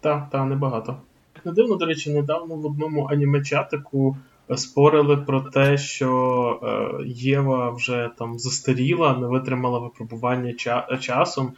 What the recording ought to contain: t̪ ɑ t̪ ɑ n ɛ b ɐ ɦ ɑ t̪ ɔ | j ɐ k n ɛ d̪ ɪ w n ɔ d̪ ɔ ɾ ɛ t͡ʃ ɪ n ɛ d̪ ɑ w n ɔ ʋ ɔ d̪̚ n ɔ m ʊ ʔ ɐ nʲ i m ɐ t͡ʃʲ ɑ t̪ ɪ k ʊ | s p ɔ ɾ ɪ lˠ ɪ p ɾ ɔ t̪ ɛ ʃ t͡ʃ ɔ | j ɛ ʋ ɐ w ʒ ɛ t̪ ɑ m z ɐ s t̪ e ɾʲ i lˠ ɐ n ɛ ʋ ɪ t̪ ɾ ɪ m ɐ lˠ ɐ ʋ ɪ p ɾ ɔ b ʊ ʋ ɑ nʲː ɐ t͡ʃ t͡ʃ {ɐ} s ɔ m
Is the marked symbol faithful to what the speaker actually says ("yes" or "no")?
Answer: no